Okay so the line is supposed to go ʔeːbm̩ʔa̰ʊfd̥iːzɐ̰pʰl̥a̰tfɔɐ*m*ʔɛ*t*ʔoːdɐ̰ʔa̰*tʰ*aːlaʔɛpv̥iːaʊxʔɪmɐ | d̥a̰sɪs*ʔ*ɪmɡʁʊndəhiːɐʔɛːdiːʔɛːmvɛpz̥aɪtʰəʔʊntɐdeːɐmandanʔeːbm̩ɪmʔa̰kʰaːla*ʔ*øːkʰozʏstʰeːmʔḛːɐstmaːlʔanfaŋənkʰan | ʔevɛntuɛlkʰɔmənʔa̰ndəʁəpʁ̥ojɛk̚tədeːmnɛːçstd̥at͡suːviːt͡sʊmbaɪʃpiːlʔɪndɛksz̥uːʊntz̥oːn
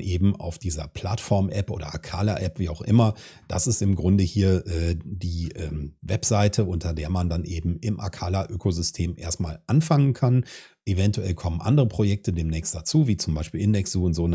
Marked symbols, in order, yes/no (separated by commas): yes, no, no, no, yes